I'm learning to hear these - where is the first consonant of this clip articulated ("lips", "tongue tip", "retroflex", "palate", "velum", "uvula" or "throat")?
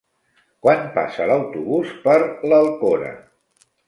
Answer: velum